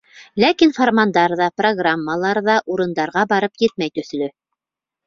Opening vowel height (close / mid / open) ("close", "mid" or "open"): open